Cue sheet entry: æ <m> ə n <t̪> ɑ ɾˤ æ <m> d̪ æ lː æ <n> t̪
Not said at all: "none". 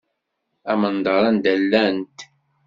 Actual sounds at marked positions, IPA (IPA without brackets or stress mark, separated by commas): m, d̪, n, n